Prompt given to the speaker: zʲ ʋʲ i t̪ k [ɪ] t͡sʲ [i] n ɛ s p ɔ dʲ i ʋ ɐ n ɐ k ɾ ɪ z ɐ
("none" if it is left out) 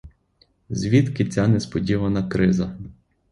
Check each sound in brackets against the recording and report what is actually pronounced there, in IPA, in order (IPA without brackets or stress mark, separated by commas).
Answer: ɪ, a